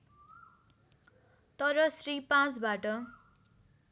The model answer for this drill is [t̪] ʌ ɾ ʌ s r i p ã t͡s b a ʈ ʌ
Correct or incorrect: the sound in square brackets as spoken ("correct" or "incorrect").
correct